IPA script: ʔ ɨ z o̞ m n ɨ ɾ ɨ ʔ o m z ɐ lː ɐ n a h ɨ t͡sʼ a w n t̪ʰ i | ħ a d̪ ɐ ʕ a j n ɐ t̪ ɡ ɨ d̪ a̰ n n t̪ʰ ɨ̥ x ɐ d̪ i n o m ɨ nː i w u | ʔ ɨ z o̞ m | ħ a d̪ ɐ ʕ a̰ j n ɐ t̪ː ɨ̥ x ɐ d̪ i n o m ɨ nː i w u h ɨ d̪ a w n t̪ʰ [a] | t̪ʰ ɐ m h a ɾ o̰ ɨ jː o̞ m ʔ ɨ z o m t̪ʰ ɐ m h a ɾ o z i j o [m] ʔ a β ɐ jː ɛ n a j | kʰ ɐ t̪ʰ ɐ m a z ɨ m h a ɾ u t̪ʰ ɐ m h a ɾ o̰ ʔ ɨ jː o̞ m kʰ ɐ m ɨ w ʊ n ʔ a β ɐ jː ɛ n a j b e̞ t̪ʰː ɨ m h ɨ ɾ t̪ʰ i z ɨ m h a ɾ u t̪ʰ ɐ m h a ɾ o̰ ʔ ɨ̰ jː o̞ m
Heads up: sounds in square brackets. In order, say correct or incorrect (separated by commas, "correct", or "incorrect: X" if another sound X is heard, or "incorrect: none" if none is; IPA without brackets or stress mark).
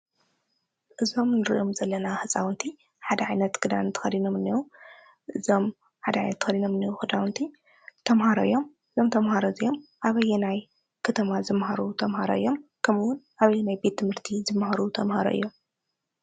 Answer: incorrect: i, correct